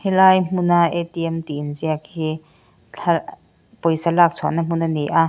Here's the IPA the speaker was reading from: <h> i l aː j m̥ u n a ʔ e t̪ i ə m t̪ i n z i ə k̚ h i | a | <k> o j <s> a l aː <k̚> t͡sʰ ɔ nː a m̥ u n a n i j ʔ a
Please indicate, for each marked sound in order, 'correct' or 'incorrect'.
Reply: correct, incorrect, correct, correct

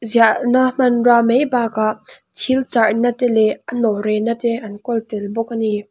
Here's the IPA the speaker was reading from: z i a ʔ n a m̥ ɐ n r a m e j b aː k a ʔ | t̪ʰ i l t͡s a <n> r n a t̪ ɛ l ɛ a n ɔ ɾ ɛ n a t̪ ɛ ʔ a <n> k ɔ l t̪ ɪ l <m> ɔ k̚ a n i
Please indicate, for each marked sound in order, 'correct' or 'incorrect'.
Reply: incorrect, correct, incorrect

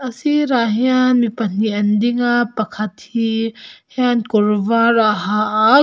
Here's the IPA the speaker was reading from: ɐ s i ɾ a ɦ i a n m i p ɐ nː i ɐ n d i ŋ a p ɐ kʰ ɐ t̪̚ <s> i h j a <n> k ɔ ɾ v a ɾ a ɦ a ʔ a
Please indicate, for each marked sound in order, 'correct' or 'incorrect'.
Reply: incorrect, correct

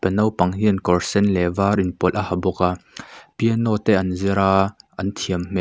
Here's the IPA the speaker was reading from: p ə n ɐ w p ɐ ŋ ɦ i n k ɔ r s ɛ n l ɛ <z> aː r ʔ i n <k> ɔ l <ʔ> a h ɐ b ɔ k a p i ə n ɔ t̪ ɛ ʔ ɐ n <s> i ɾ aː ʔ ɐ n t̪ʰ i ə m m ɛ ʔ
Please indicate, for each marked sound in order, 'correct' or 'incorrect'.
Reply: incorrect, incorrect, correct, incorrect

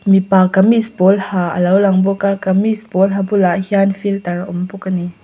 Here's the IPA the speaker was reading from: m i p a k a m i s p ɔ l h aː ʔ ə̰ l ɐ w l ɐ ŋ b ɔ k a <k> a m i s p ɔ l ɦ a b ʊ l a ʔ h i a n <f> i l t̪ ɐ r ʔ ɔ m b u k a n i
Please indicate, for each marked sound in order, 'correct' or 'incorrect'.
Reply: correct, correct

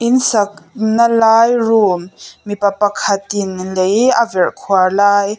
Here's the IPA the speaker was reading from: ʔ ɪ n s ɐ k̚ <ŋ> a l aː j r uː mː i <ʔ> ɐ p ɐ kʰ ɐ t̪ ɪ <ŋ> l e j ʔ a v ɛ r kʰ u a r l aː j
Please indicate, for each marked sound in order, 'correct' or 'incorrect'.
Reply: incorrect, incorrect, incorrect

